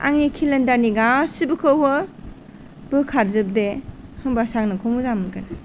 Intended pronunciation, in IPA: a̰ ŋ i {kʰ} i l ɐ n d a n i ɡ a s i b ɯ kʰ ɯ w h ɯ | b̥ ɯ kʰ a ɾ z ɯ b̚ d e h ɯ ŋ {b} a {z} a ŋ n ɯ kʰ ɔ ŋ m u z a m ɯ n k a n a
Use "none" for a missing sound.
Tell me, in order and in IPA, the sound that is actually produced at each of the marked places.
kʰ, b, s

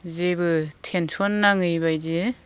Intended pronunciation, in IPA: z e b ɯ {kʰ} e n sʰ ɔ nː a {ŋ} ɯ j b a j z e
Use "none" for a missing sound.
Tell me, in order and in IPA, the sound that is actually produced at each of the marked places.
tʰ, ŋ

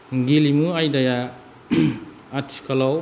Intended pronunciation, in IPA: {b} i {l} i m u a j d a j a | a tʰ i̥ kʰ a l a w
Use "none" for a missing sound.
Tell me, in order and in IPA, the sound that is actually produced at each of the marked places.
ɡ, l

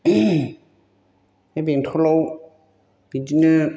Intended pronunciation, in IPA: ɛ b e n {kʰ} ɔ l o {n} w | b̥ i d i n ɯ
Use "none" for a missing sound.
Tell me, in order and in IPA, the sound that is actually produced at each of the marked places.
tʰ, none

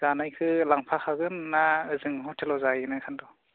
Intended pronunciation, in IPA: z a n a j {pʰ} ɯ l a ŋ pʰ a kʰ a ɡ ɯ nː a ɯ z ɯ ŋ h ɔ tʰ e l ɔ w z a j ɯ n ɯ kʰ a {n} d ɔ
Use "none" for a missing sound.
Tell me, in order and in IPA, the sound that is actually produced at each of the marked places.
kʰ, n

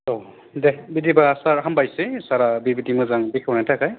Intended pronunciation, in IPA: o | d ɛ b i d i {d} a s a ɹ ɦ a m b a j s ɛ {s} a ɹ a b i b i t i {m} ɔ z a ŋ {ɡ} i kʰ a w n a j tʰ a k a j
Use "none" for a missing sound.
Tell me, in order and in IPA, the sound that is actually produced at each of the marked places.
b, s, m, b

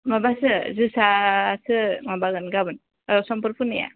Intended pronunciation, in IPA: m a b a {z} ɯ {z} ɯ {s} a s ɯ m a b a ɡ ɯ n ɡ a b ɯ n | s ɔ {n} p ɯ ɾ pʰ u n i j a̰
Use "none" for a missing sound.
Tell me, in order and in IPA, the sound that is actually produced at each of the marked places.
s, z, s, m

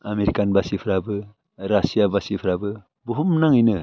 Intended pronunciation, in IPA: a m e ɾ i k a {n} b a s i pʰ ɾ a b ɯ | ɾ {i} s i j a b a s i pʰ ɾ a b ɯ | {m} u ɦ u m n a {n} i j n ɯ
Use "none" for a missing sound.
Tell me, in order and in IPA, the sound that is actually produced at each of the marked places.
n, a, b, ŋ

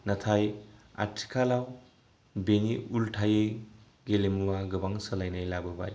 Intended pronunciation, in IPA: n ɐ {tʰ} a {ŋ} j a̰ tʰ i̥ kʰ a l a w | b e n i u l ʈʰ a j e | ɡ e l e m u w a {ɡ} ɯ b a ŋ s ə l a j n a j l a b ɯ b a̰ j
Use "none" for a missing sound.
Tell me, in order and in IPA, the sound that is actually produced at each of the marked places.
tʰ, none, ɡ

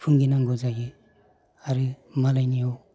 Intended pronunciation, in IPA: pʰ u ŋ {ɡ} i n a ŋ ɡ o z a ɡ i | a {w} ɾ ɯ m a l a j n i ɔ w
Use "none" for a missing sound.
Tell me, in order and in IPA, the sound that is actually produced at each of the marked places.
ɡ, none

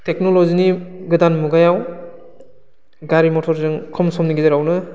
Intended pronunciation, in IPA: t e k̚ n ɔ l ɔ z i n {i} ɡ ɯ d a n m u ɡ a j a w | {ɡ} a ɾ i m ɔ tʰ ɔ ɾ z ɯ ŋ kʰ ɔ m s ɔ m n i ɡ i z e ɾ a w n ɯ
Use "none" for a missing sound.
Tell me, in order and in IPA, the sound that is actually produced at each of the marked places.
i, ɡ

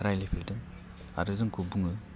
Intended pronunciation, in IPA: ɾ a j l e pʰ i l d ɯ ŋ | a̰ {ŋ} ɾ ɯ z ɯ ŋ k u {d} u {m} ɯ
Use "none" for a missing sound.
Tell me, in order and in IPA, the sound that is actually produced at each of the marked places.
none, b, ŋ

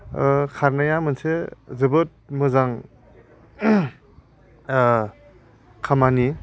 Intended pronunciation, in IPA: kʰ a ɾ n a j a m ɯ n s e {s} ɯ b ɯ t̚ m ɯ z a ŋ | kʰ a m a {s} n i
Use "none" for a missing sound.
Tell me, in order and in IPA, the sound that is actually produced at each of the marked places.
z, none

